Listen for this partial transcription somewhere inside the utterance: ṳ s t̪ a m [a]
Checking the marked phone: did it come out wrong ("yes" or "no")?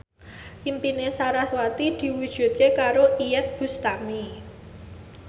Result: yes